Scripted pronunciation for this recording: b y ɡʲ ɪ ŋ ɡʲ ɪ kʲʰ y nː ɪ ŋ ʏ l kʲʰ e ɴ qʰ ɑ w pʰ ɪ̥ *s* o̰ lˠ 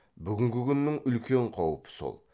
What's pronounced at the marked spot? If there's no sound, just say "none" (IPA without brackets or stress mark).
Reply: s